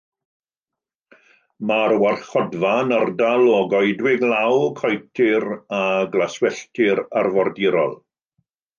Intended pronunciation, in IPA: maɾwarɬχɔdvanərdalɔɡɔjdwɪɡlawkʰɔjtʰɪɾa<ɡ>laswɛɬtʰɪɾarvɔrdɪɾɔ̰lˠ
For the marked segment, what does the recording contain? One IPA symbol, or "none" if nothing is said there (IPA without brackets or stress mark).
ɡ